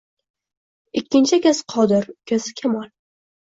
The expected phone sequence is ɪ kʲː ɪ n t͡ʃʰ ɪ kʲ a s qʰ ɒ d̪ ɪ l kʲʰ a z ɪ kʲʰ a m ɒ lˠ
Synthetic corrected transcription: ɪ kʲː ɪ n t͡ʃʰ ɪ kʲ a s qʰ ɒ d̪ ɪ ɾ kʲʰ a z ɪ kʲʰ a m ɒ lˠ